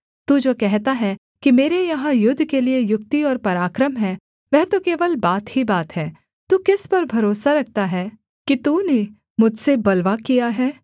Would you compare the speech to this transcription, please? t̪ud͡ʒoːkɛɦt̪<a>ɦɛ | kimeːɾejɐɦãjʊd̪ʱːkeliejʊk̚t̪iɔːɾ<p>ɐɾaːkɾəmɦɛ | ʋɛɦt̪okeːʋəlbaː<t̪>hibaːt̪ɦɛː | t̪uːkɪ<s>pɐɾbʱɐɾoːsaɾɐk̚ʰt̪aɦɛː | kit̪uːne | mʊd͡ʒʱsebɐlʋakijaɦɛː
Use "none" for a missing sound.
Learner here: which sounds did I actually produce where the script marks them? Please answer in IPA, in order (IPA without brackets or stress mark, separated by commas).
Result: a, p, t̪, s